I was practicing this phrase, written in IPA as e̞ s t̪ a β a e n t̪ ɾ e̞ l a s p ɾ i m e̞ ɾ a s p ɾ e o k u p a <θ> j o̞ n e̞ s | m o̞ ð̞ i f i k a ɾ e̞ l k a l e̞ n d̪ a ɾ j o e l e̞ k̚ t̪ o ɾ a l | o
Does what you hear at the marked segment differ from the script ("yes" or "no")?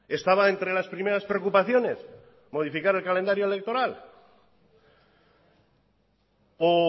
no